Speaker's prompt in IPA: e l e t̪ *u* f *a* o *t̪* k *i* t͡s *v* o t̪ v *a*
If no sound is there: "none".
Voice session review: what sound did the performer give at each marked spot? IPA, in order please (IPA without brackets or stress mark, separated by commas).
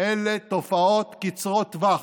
o, a, t̪, i, ʁ, a